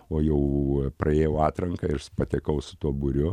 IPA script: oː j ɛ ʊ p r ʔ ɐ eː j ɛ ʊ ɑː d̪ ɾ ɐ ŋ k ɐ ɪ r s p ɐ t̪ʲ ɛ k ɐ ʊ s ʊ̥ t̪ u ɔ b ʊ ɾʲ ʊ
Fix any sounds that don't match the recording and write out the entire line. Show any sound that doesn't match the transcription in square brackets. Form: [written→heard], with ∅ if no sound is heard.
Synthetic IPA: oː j ɛ ʊ p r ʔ ɐ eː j ɛ ʊ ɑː [d̪→t̪] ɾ ɐ ŋ k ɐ ɪ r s p ɐ t̪ʲ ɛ k ɐ ʊ s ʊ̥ t̪ u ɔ b ʊ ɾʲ ʊ